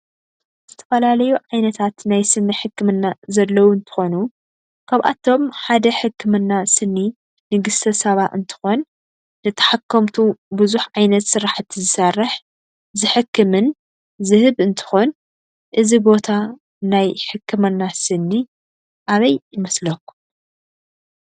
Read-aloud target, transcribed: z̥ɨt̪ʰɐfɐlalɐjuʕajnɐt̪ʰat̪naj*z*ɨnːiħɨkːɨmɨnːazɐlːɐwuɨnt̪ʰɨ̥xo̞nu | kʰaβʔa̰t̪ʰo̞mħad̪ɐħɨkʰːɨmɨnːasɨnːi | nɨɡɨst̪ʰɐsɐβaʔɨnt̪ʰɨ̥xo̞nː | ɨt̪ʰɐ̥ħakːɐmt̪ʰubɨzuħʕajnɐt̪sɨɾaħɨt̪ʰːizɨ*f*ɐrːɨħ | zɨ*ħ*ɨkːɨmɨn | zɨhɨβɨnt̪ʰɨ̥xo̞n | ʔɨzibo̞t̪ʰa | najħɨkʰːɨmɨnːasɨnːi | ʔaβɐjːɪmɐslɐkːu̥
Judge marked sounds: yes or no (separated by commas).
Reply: no, no, yes